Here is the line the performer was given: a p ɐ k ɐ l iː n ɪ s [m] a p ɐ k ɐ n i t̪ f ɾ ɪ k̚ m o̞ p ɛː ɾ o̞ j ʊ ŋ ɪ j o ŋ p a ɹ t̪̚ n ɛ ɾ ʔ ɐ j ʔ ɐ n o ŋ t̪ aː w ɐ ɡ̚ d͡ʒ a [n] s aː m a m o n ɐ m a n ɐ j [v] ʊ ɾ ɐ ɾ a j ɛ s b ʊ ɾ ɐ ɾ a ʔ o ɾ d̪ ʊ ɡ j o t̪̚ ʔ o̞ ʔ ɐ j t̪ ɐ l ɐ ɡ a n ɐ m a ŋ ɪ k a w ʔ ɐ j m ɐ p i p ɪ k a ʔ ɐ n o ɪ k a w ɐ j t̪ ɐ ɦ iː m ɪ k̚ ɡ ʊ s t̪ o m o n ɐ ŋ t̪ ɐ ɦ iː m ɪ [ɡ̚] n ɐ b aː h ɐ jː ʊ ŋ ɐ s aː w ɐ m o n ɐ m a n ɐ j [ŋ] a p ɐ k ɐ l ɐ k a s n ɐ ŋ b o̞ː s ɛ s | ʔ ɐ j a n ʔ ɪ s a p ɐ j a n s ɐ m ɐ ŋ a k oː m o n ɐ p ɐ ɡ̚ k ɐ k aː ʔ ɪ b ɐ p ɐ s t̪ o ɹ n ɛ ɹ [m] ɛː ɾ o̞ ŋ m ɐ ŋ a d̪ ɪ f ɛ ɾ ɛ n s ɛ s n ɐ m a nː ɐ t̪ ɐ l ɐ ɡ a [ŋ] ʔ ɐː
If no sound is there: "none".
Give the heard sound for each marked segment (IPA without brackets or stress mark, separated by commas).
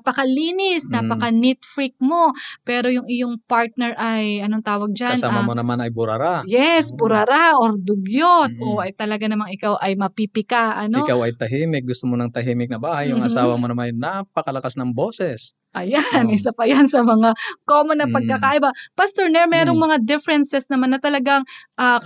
n, n, b, k̚, n, m, ŋ